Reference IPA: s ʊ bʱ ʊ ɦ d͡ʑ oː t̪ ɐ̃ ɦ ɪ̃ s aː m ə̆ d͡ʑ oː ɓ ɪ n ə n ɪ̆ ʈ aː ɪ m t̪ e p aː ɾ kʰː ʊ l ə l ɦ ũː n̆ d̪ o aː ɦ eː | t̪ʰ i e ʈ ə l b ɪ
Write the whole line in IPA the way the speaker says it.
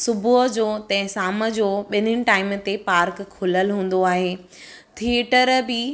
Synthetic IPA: s ʊ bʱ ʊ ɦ d͡ʑ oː t̪ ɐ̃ ɦ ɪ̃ s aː m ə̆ d͡ʑ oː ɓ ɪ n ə n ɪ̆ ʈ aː ɪ m t̪ e p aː ɾ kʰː ʊ l ə l ɦ ũː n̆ d̪ o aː ɦ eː | t̪ʰ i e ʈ ə ɾ b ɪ